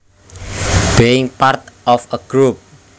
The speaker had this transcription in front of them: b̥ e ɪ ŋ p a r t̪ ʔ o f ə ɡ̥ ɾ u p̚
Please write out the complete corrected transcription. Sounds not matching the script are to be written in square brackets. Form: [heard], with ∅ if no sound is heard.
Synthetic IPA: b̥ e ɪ ŋ p a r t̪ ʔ [ɔ] f ə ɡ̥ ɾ u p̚

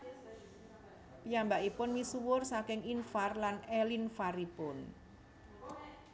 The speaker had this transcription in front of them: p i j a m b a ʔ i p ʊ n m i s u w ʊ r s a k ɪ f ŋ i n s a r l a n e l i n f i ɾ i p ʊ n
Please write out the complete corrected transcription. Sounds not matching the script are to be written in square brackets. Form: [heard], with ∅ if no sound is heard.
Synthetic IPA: p i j a m b a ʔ i p ʊ n m i s u w ʊ r s a k ɪ [∅] ŋ i n [f] a r l a n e l i n f [a] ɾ i p ʊ n

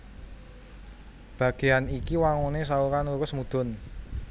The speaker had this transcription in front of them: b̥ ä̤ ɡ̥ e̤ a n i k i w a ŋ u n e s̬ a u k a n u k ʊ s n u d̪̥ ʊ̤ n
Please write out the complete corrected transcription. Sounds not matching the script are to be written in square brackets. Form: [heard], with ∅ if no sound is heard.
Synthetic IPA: b̥ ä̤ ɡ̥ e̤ a n i k i w a ŋ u n e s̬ a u k a n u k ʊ s [m] u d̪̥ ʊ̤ n

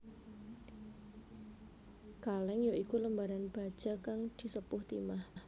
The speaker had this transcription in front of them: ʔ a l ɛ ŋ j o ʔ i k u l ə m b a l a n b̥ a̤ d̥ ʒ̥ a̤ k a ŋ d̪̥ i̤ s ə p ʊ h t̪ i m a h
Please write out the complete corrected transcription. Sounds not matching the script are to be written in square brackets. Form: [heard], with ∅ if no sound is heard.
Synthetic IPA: [k] a l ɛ ŋ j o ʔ i k u l ə m b a [ɾ] a n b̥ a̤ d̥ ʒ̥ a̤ k a ŋ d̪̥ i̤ s ə p ʊ h t̪ i m a h

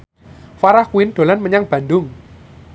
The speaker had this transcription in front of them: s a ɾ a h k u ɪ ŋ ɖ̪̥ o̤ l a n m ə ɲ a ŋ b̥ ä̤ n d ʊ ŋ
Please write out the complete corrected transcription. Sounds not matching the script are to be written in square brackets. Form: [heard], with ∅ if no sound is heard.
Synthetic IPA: [f] a ɾ a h k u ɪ [n] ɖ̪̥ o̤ l a n m ə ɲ a ŋ b̥ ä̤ n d ʊ ŋ

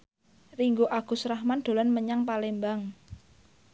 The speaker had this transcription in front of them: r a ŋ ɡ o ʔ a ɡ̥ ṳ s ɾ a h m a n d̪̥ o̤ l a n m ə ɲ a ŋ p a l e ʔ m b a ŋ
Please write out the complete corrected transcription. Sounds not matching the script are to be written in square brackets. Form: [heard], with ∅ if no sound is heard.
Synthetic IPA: r [i] ŋ ɡ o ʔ a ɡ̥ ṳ s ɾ a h m a n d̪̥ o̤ l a n m ə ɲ a ŋ p a l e [∅] m b a ŋ

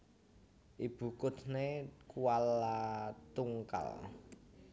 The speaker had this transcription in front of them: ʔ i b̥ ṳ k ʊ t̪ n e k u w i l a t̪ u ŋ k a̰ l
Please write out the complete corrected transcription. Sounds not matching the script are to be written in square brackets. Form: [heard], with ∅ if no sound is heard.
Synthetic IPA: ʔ i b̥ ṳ k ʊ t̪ n e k u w [a] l a t̪ u ŋ k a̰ l

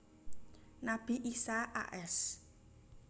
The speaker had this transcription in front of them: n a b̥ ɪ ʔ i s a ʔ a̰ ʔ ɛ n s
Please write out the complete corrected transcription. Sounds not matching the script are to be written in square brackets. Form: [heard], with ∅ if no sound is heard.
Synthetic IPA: n a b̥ [i] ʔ i s a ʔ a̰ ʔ ɛ [∅] s

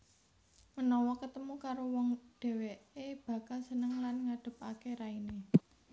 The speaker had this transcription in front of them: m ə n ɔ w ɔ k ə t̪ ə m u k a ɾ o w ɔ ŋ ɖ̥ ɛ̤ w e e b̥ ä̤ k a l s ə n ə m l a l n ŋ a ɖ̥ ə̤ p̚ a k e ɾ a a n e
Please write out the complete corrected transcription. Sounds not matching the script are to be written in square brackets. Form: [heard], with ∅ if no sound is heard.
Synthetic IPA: m ə n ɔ w ɔ k ə t̪ ə m u k a ɾ o w ɔ ŋ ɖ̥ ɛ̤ w e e b̥ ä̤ k a l s ə n ə [ŋ] l a [∅] n ŋ a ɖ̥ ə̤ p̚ a k e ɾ a [i] n e

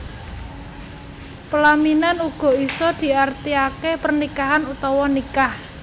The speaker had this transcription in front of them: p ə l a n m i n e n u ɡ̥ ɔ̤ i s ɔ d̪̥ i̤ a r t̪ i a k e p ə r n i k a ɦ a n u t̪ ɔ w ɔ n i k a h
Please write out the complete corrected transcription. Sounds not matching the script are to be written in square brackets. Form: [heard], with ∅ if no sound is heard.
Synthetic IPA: p ə l a [∅] m i n [a] n u ɡ̥ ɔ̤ i s ɔ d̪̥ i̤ a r t̪ i a k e p ə r n i k a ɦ a n u t̪ ɔ w ɔ n i k a h

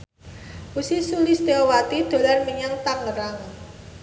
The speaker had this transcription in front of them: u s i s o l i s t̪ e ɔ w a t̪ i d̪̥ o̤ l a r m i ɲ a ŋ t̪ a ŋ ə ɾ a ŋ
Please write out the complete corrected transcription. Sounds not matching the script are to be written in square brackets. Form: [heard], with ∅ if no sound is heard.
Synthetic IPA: u s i s [u] l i s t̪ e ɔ w a t̪ i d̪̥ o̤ l a r m i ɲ a ŋ t̪ a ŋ ə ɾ a ŋ

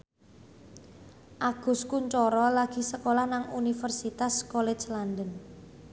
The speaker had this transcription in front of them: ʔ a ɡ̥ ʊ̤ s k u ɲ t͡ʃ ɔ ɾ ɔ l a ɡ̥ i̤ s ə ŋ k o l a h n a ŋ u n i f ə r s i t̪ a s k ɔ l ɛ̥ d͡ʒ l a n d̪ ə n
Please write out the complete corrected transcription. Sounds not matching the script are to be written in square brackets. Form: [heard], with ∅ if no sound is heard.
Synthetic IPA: ʔ a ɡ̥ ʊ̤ s k u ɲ t͡ʃ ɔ ɾ ɔ l a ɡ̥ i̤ s ə [∅] k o l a h n a ŋ u n i f ə r s i t̪ a s k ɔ l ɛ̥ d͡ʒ l a n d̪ ə n

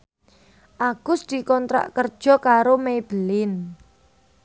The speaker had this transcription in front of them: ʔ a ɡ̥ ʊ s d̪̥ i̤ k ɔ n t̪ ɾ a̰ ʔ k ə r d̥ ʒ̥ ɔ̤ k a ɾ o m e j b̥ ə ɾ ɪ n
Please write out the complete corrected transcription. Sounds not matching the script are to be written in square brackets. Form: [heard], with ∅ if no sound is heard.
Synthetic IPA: ʔ a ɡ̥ ʊ s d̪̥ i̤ k ɔ n t̪ ɾ a̰ ʔ k ə r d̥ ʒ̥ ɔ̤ k a ɾ o m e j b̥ ə [l] ɪ n

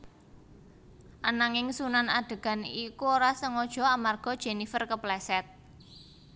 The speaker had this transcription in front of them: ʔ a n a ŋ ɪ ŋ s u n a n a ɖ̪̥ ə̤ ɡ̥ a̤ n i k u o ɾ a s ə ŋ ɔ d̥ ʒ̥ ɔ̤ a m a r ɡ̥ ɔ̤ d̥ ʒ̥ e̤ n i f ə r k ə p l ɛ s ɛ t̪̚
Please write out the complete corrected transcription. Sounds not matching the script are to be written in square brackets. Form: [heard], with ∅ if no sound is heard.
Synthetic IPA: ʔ a n a ŋ ɪ ŋ s u n a n a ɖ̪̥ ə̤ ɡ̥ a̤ n i k u o ɾ a s ə ŋ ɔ d̥ ʒ̥ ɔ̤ a m a r ɡ̥ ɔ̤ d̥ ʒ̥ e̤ n i f ə r k ə p l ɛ s ɛ t̪̚

